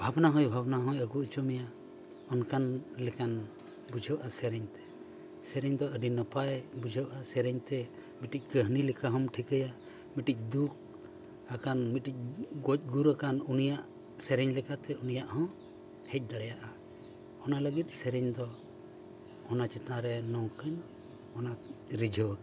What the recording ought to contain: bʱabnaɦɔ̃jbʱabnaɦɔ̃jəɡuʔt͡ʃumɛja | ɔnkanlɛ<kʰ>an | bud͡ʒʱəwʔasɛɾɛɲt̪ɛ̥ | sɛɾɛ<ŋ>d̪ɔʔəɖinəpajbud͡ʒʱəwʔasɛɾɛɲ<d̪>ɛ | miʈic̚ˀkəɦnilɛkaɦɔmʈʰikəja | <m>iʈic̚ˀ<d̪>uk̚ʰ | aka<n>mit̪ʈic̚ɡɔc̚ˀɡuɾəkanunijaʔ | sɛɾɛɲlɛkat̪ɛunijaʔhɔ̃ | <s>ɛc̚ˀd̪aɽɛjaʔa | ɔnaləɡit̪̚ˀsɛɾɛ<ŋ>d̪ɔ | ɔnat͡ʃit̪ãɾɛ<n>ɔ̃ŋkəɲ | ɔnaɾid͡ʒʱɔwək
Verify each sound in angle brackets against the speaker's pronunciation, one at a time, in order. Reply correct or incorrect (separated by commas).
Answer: incorrect, incorrect, incorrect, correct, correct, correct, incorrect, incorrect, correct